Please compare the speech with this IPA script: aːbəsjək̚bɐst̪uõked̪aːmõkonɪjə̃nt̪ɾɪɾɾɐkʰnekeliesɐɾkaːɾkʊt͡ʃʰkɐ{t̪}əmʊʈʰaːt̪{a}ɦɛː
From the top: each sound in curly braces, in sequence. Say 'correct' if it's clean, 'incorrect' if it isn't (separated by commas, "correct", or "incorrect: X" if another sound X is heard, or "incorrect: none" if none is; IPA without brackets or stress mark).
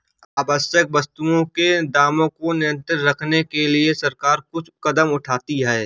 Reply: incorrect: d̪, incorrect: i